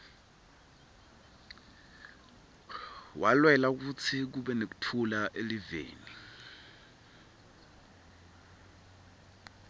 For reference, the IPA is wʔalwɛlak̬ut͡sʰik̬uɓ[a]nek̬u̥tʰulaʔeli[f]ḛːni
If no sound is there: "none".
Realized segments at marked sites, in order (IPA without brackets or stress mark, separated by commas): ɛ, v